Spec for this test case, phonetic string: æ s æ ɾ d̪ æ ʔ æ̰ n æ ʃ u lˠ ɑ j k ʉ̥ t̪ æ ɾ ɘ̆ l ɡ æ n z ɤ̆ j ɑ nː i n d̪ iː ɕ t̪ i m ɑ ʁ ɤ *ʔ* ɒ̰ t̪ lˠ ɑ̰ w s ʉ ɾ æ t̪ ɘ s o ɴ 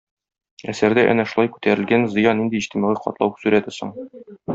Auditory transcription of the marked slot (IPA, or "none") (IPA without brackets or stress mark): q